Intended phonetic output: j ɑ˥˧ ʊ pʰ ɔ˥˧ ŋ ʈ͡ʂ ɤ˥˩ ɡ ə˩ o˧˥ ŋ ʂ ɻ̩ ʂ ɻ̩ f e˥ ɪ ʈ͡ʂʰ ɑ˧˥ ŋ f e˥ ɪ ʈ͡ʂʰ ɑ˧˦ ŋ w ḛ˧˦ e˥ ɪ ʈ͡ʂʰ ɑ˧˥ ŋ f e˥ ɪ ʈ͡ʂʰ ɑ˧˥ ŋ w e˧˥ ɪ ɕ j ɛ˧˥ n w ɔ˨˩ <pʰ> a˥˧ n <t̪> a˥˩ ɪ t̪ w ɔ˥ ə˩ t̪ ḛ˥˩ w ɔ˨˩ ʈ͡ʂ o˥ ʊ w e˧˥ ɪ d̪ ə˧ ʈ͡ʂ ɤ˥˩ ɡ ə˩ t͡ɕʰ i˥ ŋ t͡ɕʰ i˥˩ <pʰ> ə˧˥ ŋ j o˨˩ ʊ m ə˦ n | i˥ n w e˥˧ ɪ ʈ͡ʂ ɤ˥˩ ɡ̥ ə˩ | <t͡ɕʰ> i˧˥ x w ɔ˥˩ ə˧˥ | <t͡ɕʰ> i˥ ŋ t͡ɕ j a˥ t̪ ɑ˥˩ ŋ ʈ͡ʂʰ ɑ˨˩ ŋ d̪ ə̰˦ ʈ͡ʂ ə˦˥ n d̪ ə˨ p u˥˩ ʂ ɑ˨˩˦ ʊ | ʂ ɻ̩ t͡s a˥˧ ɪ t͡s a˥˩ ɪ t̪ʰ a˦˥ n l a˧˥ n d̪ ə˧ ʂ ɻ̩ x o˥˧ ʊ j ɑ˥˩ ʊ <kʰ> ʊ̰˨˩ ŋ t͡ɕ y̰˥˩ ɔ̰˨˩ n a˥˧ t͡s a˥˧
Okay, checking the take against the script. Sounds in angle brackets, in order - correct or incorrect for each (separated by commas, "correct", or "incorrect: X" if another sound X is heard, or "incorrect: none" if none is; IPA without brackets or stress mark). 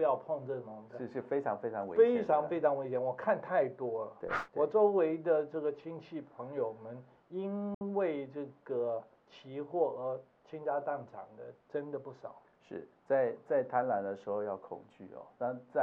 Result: incorrect: kʰ, incorrect: t̪ʰ, correct, correct, correct, correct